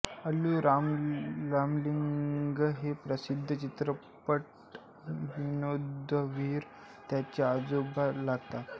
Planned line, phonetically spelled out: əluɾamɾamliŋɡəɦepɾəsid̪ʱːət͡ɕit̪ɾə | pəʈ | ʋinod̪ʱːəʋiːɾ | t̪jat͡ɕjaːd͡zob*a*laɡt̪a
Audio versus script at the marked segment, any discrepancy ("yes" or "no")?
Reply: no